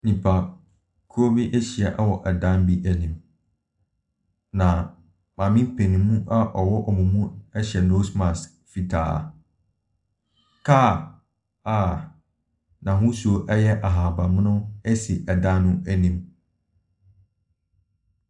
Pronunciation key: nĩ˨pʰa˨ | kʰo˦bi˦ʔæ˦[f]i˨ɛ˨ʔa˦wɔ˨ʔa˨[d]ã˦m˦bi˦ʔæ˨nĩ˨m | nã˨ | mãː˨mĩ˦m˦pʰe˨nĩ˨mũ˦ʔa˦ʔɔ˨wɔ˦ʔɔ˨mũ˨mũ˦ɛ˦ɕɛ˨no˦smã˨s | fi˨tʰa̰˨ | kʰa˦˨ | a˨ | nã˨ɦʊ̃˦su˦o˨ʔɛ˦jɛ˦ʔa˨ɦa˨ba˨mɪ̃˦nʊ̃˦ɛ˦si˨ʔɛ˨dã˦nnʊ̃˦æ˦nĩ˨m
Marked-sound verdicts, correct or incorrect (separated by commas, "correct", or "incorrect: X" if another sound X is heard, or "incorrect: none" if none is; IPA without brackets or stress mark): incorrect: ɕ, correct